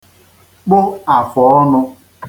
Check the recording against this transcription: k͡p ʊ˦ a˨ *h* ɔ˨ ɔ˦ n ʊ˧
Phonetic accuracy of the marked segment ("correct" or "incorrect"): incorrect